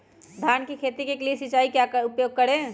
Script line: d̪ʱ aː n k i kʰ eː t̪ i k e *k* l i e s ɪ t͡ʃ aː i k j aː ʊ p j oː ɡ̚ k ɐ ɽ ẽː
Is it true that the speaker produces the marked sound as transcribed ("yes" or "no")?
yes